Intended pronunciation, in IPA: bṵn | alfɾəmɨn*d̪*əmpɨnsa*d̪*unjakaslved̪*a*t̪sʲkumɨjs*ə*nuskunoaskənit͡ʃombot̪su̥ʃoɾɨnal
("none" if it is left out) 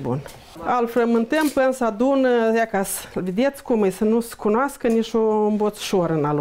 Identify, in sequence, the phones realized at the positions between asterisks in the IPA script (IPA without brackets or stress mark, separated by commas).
t̪, d̪, e, ə